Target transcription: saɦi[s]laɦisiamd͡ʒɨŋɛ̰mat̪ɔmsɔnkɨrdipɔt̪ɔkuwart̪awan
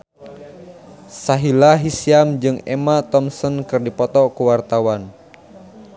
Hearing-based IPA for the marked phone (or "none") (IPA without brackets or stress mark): none